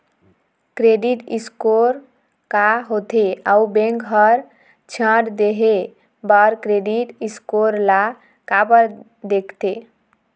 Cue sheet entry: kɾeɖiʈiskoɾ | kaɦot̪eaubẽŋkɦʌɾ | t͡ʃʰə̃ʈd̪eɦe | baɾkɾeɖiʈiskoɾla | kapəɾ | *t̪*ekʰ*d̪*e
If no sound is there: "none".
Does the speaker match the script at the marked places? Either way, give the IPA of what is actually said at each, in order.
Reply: d̪, t̪

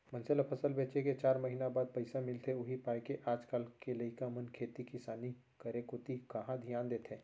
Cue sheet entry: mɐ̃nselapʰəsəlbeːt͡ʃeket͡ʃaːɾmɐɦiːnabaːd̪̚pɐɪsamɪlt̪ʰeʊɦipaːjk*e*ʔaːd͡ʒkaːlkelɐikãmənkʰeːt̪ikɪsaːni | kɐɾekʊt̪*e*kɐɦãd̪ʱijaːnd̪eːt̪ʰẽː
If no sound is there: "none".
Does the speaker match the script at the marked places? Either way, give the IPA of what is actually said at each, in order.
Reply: e, i

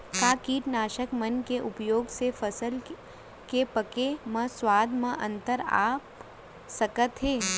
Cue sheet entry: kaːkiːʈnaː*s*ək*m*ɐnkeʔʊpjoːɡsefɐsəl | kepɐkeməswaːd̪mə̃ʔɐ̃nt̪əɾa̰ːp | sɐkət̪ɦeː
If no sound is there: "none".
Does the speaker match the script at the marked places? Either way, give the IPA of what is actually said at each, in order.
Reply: ʃ, m

